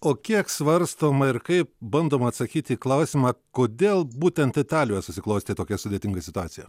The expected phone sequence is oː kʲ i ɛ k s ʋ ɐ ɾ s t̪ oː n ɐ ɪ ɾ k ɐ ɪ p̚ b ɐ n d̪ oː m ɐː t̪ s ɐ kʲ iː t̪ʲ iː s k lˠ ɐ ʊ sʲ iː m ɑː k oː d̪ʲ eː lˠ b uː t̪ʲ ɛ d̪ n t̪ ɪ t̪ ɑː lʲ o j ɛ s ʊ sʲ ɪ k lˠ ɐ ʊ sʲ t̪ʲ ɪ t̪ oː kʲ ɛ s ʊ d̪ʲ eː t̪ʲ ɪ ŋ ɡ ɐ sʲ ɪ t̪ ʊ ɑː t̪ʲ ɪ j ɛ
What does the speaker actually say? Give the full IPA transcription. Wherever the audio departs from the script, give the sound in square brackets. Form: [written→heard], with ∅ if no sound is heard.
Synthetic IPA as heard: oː kʲ i ɛ k s ʋ ɐ ɾ s t̪ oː [n→m] ɐ ɪ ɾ k ɐ ɪ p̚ b ɐ n d̪ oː m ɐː t̪ s ɐ kʲ iː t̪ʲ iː [s→∅] k lˠ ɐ ʊ sʲ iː m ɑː k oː d̪ʲ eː lˠ b uː t̪ʲ ɛ [d̪→∅] n t̪ ɪ t̪ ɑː lʲ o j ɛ s ʊ sʲ ɪ k lˠ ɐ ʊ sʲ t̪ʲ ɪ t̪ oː kʲ ɛ s ʊ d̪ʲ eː t̪ʲ ɪ ŋ ɡ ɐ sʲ ɪ t̪ ʊ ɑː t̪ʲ ɪ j ɛ